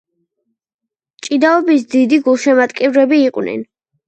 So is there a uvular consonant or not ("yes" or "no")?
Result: yes